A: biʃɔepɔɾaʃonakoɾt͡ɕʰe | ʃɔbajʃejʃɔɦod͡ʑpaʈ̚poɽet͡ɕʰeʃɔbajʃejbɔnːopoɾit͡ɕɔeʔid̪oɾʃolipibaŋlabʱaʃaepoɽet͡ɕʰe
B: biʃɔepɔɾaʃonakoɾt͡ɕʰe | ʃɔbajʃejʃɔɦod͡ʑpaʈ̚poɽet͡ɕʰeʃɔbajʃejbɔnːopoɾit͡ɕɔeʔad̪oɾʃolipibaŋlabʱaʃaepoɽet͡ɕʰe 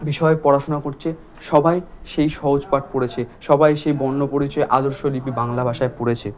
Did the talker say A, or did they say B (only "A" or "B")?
B